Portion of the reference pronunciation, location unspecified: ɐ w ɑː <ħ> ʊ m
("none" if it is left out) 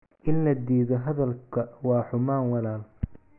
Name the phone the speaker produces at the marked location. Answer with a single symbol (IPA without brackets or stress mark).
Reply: ħ